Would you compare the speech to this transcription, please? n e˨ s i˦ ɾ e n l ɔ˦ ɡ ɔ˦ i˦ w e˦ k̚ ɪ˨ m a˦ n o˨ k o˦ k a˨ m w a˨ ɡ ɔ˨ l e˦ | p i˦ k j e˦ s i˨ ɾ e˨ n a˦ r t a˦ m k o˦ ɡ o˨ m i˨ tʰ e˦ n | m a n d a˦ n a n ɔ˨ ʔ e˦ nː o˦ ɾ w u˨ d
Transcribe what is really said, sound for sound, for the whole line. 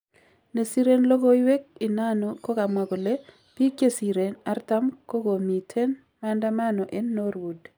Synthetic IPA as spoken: n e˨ s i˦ ɾ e n l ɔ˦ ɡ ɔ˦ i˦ w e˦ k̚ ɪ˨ n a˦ n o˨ k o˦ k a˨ m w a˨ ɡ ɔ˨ l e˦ | p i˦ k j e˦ s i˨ ɾ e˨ n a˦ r t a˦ m k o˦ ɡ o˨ m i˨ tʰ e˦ n | m a n d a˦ m a n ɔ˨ ʔ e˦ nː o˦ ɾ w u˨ d